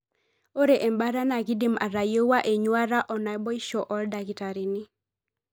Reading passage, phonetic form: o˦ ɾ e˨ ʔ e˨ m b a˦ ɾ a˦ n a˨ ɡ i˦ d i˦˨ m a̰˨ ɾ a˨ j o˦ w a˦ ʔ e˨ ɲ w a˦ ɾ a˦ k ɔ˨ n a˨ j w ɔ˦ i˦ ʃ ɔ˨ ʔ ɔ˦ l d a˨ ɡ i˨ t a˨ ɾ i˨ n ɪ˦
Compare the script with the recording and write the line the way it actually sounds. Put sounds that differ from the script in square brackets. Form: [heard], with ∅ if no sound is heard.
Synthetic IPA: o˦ ɾ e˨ ʔ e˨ m b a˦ ɾ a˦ n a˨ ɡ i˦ d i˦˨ m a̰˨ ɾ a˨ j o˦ w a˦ ʔ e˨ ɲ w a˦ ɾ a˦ [ʔ] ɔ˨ n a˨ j [b] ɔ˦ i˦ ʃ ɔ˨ ʔ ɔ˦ l d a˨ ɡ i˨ t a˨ ɾ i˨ n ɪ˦